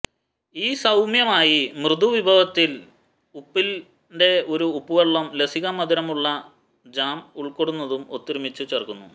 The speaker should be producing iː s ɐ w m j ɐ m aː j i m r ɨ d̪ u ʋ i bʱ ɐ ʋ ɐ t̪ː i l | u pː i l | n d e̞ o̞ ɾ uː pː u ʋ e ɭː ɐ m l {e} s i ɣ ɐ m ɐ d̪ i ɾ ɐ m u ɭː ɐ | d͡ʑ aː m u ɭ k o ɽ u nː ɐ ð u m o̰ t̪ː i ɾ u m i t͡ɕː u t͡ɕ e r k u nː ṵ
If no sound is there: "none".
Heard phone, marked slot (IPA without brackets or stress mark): e